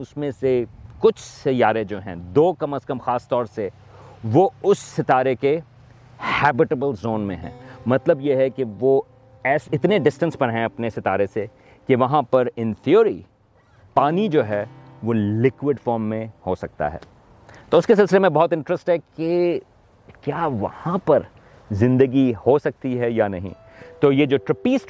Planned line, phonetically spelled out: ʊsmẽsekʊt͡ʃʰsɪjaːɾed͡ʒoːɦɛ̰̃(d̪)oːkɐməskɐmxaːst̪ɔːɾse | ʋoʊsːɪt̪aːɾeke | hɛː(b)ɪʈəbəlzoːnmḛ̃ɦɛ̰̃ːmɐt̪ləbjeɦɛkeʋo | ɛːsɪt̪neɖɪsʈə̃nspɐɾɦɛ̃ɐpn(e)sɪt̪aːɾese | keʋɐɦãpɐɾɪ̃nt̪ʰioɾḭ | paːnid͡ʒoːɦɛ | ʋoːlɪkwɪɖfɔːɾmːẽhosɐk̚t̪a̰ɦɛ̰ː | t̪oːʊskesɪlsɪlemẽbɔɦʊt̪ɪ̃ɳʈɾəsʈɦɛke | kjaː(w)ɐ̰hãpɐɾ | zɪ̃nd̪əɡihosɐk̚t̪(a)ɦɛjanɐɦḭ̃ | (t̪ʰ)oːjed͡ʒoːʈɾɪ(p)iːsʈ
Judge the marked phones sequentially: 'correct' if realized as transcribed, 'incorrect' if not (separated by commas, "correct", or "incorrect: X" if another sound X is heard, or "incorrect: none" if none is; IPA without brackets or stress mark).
correct, correct, correct, incorrect: ʋ, incorrect: i, incorrect: t̪, correct